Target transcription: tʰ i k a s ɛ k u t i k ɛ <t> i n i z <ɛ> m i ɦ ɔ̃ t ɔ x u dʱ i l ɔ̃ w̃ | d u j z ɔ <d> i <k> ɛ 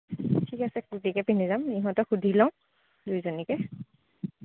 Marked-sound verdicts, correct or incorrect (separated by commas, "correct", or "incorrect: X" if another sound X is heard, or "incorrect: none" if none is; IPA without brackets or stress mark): incorrect: p, incorrect: a, incorrect: n, correct